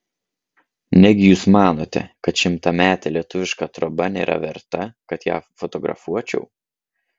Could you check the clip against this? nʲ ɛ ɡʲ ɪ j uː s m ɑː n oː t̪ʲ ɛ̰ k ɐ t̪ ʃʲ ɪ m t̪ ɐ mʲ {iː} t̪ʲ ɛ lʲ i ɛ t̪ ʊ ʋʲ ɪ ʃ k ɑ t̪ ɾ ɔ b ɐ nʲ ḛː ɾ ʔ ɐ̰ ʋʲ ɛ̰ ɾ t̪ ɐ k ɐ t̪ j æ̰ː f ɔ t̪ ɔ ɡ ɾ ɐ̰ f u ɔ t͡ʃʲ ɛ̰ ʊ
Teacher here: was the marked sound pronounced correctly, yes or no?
no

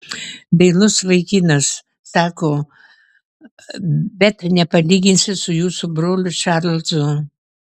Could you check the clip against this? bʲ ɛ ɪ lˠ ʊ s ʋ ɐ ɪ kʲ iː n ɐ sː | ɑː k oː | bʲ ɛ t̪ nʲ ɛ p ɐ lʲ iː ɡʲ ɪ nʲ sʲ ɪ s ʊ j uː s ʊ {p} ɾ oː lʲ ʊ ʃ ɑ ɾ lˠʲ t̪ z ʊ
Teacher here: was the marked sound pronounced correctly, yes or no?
no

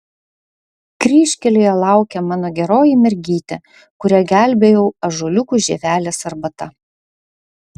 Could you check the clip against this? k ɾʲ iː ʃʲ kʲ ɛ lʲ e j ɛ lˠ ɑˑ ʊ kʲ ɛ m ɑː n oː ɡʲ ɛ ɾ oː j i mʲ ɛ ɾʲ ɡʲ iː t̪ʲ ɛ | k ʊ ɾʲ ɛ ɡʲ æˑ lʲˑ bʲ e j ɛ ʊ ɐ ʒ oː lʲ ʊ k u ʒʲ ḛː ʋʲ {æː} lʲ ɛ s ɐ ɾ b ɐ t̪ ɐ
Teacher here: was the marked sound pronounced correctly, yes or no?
yes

